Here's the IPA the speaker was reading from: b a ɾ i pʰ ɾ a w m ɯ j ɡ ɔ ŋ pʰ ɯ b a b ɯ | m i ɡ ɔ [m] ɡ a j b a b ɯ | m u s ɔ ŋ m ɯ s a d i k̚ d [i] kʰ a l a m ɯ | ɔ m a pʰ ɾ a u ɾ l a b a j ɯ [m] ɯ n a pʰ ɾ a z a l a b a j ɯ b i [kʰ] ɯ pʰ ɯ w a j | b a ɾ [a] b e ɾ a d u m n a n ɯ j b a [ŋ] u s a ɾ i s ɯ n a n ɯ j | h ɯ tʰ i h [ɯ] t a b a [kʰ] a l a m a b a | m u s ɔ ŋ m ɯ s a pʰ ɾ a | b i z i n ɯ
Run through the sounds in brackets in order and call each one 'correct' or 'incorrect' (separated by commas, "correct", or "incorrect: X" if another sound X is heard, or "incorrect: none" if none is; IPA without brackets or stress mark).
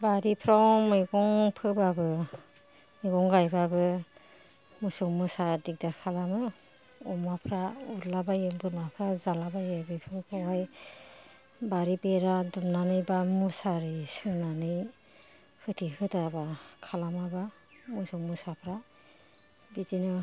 incorrect: ŋ, incorrect: a, incorrect: b, incorrect: pʰ, incorrect: i, incorrect: m, correct, correct